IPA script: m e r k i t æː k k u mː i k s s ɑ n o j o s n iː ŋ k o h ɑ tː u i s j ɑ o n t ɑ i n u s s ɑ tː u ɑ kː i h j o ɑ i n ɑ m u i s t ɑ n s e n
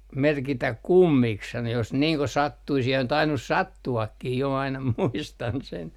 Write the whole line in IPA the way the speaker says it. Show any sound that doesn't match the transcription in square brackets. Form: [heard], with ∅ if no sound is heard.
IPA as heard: m e r k i t [æ] k k u mː i k s s ɑ n o j o s n iː ŋ k o [s] ɑ tː u i s j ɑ o n t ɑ i n u s s ɑ tː u ɑ kː i h j o ɑ i n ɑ m u i s t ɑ n s e n